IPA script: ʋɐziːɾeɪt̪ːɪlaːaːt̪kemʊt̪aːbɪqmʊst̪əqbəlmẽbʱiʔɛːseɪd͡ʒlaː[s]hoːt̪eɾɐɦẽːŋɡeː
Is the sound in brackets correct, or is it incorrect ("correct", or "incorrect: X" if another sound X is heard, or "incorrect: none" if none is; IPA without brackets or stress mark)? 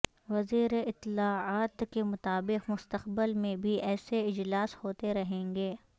correct